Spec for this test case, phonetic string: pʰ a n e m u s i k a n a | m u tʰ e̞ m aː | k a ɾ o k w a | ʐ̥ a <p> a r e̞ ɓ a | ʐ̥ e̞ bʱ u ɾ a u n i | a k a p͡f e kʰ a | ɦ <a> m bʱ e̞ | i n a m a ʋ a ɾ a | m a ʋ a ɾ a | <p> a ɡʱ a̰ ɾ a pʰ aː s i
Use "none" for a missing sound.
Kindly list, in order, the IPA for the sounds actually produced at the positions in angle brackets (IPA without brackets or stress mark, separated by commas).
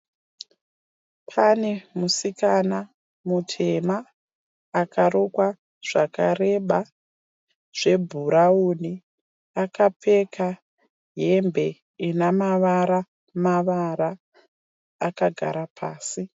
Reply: k, e, k